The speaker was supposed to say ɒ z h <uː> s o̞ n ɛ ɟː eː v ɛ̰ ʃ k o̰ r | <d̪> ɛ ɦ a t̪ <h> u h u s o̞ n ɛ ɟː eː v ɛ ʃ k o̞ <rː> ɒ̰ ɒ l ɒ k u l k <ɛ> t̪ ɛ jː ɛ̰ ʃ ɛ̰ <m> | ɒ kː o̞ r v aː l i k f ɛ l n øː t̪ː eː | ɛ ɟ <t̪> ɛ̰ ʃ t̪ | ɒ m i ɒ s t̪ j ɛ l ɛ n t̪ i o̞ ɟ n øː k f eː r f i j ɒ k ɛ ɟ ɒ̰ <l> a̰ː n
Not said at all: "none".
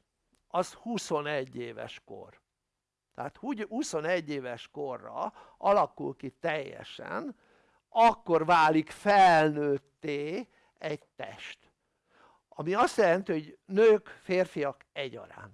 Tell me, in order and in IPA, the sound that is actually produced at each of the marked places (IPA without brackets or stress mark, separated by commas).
u, t̪, h, rː, i, n, t̪, ɾ